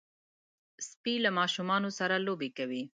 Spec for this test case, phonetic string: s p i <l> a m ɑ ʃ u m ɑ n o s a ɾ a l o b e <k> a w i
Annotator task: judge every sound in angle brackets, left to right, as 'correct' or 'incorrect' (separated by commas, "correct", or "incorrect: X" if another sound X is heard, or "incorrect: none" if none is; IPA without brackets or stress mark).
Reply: correct, correct